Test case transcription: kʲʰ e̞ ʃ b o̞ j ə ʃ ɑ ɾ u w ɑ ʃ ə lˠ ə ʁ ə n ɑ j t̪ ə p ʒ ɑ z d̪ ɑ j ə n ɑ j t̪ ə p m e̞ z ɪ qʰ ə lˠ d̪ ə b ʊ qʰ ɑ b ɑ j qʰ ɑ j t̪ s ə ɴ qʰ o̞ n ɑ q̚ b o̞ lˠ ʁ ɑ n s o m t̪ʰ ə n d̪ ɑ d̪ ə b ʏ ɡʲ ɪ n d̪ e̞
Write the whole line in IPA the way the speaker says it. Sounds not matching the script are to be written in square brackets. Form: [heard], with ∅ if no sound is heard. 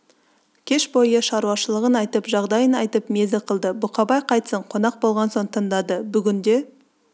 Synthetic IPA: kʲʰ e̞ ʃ b o̞ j ə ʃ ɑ ɾ u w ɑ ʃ ə lˠ ə ʁ ə n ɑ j t̪ ə p ʒ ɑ [ʁ] d̪ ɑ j ə n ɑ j t̪ ə p m e̞ z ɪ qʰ ə lˠ d̪ ə b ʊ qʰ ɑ b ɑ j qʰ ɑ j t̪ s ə ɴ qʰ o̞ n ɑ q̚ b o̞ lˠ ʁ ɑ n s o [ɴ] t̪ʰ ə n d̪ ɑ d̪ ə b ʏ ɡʲ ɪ n d̪ e̞

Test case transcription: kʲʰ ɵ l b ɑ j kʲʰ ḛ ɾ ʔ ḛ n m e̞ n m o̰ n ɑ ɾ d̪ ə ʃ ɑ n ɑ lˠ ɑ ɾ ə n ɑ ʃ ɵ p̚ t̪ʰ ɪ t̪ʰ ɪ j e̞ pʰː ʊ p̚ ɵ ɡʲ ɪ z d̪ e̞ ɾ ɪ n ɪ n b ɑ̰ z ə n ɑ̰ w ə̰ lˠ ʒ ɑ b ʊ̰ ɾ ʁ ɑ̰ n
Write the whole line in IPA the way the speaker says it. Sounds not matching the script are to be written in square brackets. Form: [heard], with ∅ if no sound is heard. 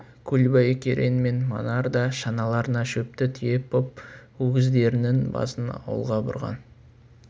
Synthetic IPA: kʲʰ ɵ l b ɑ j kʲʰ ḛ ɾ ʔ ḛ n m e̞ n m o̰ n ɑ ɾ d̪ [ɑ] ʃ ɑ n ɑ lˠ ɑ ɾ ə n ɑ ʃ ɵ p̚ [t̪] ɪ t̪ʰ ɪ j e̞ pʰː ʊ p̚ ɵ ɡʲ ɪ z d̪ e̞ ɾ ɪ n ɪ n b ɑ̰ [s] ə n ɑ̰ w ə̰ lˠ [ʁ] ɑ b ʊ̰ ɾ ʁ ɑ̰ n

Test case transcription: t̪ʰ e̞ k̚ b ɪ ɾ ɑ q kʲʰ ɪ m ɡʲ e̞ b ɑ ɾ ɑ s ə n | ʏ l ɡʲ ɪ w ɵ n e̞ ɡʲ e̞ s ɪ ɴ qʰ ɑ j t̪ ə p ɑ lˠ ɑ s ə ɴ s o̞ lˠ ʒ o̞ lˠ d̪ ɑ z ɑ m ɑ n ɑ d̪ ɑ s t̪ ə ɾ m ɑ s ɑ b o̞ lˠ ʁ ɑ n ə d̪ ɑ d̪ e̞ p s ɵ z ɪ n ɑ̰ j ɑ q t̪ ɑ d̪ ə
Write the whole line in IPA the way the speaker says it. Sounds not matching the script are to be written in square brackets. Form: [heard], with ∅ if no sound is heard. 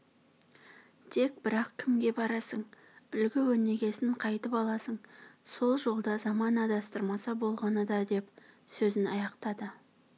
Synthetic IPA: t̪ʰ e̞ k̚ b ɪ ɾ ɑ q kʲʰ ɪ m ɡʲ e̞ b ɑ ɾ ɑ s ə [ɴ] | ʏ l ɡʲ ɪ w ɵ n e̞ ɡʲ e̞ s ɪ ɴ qʰ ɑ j t̪ ə p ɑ lˠ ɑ s ə ɴ s o̞ lˠ ʒ o̞ lˠ d̪ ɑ z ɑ m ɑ n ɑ d̪ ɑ s t̪ ə ɾ m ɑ s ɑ b o̞ lˠ ʁ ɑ n ə d̪ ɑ d̪ e̞ p s ɵ z ɪ n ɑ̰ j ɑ q t̪ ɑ d̪ ə

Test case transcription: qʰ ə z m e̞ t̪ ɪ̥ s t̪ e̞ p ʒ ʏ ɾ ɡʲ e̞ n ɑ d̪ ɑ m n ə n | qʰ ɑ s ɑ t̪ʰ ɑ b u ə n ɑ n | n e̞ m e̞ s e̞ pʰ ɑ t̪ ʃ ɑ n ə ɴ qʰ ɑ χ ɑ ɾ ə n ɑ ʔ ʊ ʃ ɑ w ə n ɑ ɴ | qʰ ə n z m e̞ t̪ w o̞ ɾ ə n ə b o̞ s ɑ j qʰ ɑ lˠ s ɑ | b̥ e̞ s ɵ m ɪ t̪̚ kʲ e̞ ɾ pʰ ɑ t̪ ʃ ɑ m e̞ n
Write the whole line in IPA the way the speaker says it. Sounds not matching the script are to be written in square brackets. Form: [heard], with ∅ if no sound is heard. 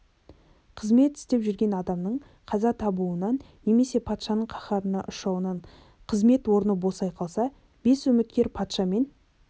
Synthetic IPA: qʰ ə z m e̞ t̪ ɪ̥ s t̪ e̞ p ʒ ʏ ɾ ɡʲ e̞ n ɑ d̪ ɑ m n ə [ɴ] | qʰ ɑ [z] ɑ t̪ʰ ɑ b u ə n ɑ n | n e̞ m e̞ s e̞ pʰ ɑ t̪ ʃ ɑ n ə ɴ qʰ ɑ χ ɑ ɾ ə n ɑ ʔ ʊ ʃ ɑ w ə n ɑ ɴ | qʰ ə [∅] z m e̞ t̪ w o̞ ɾ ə n ə b o̞ s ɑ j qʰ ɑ lˠ s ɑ | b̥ e̞ s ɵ m ɪ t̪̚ kʲ e̞ ɾ pʰ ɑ t̪ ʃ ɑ m e̞ n

